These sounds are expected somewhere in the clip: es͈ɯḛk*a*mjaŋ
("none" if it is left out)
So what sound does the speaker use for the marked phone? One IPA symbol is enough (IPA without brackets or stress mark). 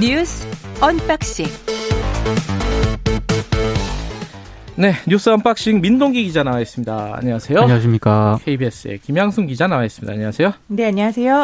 i